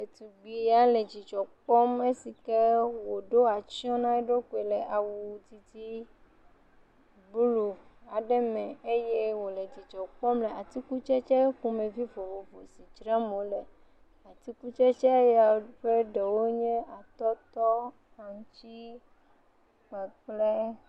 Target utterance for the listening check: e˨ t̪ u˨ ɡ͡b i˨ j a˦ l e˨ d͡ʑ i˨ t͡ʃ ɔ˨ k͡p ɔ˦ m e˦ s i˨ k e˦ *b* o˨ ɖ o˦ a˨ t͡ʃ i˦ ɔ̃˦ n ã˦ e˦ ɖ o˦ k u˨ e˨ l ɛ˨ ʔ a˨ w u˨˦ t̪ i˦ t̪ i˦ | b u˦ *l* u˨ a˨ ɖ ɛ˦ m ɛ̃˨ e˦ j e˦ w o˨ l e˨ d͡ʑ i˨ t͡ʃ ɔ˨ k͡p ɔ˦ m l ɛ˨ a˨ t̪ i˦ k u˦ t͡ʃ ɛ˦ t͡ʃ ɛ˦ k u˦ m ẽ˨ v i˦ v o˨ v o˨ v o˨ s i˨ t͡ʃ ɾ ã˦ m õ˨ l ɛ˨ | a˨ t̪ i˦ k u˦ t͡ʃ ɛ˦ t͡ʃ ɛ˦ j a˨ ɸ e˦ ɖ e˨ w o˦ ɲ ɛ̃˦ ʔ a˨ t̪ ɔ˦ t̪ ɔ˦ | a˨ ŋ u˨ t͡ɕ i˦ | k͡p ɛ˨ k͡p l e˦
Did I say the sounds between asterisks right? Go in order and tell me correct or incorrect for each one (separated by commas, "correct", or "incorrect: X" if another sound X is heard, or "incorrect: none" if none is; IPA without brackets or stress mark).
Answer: incorrect: w, correct